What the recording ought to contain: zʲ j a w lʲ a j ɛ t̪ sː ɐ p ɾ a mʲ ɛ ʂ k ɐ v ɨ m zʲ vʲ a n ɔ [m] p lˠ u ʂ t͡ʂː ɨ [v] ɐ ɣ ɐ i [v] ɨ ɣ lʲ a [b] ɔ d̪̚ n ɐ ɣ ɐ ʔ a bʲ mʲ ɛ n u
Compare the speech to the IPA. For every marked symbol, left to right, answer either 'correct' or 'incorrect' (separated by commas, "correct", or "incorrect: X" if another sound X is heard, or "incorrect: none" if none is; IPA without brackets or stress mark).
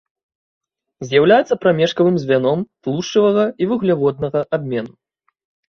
correct, correct, correct, incorrect: v